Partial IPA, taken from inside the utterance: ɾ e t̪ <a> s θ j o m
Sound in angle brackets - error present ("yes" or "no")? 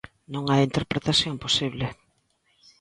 no